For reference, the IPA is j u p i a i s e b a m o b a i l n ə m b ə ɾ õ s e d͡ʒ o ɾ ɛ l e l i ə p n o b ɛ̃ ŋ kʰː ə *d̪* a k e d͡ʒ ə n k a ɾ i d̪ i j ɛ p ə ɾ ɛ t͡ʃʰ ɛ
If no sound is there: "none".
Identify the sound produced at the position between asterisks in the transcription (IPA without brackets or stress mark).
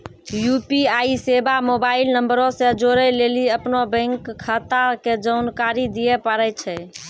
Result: t̪